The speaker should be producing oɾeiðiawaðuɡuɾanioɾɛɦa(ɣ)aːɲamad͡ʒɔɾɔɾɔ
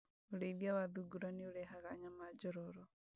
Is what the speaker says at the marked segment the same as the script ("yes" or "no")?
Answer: yes